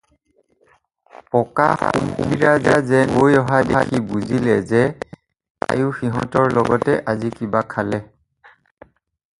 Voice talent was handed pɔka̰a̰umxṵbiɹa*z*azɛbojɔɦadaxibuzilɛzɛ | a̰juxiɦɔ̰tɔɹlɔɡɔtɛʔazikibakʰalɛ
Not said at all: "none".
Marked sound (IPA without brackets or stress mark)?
z